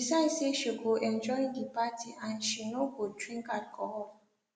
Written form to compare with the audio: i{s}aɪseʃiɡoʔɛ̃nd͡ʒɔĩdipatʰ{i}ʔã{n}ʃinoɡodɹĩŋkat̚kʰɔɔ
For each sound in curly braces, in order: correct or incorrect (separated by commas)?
correct, correct, correct